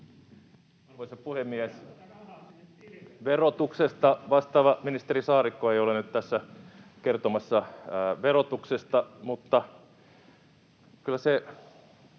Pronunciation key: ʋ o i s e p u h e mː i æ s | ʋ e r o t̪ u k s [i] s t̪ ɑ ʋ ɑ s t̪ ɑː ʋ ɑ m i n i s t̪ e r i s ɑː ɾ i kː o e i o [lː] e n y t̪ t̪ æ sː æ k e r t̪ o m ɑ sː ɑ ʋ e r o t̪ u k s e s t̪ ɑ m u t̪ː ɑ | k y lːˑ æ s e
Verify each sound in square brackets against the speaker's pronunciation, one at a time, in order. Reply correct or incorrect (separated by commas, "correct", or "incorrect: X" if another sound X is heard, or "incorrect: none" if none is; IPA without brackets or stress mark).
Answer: incorrect: e, incorrect: l